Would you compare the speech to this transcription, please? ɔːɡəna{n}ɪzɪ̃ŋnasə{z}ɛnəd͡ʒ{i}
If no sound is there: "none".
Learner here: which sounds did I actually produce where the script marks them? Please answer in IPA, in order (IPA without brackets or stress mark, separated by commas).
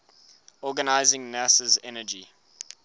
none, z, i